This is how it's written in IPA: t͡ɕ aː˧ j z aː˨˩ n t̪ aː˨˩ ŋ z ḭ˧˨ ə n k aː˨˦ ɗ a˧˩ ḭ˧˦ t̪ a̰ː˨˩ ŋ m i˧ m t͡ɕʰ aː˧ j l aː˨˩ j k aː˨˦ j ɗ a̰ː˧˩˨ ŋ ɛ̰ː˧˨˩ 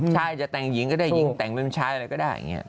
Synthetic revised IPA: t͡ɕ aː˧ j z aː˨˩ t̪ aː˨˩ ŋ z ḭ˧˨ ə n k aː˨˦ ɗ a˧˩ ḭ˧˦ t̪ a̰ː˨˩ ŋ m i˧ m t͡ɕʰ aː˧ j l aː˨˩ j k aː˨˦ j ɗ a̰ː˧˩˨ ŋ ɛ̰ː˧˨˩